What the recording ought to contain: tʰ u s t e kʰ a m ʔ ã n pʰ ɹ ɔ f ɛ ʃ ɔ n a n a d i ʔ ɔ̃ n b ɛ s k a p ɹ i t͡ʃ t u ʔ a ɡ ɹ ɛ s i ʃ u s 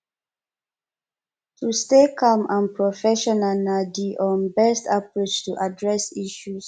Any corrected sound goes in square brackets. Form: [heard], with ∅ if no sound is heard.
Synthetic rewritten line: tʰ u s t e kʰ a m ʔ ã n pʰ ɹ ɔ f ɛ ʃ ɔ n a n a d i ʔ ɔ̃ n b ɛ s [t] a p ɹ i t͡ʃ t u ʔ a [d] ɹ ɛ s i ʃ u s